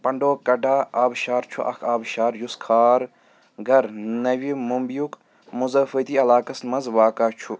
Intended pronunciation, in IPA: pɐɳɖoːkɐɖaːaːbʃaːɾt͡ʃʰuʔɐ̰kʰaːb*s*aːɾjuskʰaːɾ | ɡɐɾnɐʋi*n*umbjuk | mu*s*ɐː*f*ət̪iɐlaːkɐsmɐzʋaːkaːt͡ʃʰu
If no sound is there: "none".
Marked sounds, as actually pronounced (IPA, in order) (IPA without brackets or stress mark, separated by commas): ʃ, m, z, f